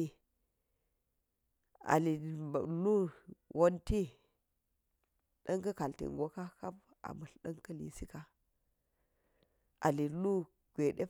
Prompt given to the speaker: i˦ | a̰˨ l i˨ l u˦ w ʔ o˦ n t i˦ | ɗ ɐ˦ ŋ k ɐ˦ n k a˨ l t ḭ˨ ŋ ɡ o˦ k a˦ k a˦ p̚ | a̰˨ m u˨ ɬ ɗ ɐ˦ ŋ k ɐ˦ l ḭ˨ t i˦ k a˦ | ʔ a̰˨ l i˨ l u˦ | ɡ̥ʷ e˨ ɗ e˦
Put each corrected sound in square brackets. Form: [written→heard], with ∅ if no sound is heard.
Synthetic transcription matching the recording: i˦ | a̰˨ l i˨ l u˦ w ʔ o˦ n t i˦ | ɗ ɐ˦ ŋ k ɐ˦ [n→∅] k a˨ l t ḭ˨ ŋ ɡ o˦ k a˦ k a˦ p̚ | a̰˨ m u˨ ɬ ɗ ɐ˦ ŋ k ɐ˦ l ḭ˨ [t→s] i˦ k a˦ | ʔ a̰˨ l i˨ l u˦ | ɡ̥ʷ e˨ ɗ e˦